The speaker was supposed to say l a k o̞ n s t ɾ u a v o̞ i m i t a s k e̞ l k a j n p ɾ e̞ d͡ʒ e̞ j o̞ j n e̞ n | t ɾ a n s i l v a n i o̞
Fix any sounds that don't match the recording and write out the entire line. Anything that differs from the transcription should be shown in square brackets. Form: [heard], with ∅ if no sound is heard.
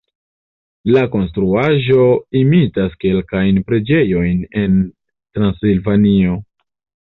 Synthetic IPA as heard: l a k o̞ n s t ɾ u a [ʒ] o̞ i m i t a s k e̞ l k a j n p ɾ e̞ d͡ʒ e̞ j o̞ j n e̞ n | t ɾ a n s i l v a n i o̞